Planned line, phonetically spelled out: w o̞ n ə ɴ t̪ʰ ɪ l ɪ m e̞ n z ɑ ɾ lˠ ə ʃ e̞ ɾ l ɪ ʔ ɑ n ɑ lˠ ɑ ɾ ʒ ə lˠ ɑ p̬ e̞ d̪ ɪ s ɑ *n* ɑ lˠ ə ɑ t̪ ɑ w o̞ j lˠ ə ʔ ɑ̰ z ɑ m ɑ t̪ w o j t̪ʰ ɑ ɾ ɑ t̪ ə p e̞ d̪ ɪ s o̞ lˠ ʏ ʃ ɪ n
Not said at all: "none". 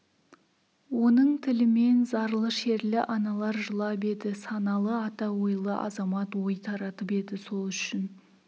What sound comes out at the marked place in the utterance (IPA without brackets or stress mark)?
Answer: n